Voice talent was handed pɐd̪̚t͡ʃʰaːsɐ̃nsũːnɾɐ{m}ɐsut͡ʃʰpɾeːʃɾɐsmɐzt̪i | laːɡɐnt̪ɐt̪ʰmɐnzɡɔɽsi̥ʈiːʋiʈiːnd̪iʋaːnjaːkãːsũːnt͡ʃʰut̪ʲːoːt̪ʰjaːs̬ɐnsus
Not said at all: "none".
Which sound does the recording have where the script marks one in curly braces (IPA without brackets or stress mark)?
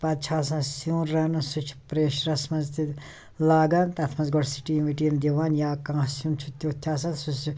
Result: n